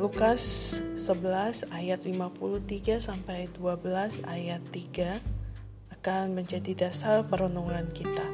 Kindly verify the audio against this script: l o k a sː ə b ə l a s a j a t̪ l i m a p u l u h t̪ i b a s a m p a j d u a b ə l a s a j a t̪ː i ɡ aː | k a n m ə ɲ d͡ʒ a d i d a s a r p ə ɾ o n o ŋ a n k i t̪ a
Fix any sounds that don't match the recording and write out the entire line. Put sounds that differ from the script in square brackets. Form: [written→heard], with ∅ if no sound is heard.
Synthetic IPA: l [o→u] k a sː ə b ə l a s a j a t̪ l i m a p u l u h t̪ i [b→ɡ] a s a m p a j d u a b ə l a s a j a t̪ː i ɡ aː | k a n m ə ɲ d͡ʒ a d i d a s a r p ə ɾ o n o ŋ a n k i t̪ a